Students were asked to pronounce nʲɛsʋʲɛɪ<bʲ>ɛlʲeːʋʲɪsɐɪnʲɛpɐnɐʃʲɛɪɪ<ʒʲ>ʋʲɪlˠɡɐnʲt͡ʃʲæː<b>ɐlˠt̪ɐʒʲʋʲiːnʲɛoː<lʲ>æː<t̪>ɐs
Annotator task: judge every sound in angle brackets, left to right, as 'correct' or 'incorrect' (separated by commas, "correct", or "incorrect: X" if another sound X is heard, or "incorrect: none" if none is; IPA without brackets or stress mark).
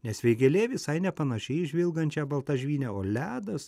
incorrect: ɡʲ, correct, correct, correct, incorrect: d̪